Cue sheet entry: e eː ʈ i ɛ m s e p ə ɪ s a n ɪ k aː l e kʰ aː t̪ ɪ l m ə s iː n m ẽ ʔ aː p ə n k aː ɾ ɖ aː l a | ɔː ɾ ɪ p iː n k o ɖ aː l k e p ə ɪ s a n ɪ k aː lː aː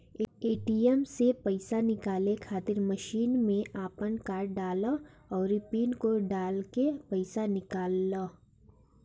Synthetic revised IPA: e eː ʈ i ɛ m s e p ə ɪ s a n ɪ k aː l e kʰ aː t̪ ɪ ɾ m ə ʃ iː n m ẽ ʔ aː p ə n k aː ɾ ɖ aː l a | ɔː ɾ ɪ p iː n k o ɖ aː l k e p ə ɪ s a n ɪ k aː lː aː